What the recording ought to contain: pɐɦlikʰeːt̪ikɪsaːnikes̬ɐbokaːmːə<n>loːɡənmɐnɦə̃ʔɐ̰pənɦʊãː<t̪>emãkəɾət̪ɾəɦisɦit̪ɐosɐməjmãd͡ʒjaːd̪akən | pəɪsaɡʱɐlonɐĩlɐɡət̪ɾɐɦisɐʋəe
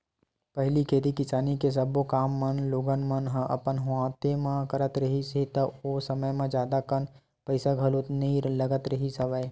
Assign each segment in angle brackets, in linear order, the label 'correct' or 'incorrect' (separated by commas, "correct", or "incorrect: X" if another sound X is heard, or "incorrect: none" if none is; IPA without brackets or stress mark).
correct, correct